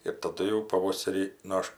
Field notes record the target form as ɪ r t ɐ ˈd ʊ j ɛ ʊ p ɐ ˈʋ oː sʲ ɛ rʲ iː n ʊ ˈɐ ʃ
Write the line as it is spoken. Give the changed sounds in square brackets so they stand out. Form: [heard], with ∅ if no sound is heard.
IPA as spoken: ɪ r t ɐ ˈd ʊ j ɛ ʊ p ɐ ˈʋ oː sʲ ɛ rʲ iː n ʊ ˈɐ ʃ